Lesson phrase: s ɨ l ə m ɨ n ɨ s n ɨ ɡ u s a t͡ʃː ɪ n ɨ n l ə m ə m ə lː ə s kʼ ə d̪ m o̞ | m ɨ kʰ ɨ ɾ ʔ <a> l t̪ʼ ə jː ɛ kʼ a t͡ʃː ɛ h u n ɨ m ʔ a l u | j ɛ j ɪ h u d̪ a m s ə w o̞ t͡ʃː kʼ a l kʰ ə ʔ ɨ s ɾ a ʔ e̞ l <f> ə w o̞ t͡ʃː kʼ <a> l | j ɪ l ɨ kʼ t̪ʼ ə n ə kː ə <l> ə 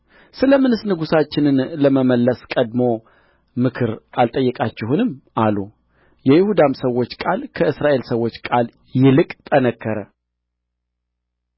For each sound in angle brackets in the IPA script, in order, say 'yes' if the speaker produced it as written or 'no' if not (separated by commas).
yes, no, yes, no